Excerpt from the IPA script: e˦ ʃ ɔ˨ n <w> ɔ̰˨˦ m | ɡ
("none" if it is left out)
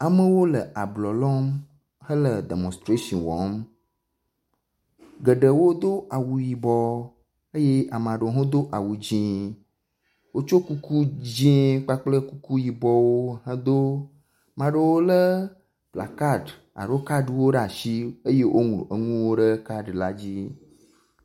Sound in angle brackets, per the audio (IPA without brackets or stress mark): w